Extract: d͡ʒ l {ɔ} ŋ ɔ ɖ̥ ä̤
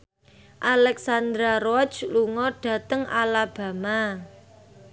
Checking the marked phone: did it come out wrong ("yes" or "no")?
yes